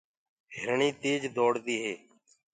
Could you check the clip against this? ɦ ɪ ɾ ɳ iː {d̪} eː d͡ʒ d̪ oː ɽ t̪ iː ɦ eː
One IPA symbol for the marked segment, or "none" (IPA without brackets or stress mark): t̪